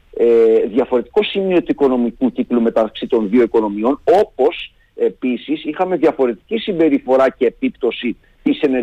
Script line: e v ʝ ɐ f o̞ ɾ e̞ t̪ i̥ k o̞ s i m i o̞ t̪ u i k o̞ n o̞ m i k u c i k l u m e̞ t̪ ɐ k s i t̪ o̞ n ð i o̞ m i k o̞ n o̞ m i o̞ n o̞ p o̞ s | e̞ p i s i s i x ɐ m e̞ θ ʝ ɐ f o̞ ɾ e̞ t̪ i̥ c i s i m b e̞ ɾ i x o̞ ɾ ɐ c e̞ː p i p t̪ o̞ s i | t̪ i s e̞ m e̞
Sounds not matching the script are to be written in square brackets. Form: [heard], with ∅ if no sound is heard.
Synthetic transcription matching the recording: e [ð] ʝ ɐ f o̞ ɾ e̞ t̪ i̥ k o̞ s i m i o̞ t̪ u i k o̞ n o̞ m i k u c i k l u m e̞ t̪ ɐ k s i t̪ o̞ n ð i o̞ [∅] i k o̞ n o̞ m i o̞ n o̞ p o̞ s | e̞ p i s i s i x ɐ m e̞ [ð] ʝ ɐ f o̞ ɾ e̞ t̪ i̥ c i s i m b e̞ ɾ i [f] o̞ ɾ ɐ c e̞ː p i p t̪ o̞ s i | t̪ i s e̞ [n] e̞